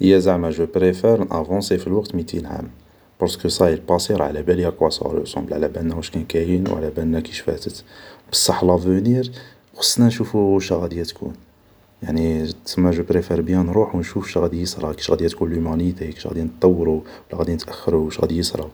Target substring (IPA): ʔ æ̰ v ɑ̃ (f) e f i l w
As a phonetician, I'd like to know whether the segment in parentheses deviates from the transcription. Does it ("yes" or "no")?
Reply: yes